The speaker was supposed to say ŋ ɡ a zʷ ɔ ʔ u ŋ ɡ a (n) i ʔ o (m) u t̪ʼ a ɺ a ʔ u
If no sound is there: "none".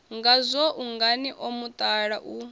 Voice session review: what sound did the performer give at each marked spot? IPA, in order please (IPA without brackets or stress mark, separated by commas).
n, m